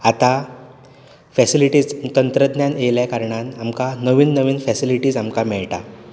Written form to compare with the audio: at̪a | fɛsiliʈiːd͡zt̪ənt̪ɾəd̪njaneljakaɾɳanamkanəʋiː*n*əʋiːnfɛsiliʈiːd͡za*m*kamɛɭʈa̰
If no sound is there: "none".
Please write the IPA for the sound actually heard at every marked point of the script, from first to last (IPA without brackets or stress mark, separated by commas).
nː, m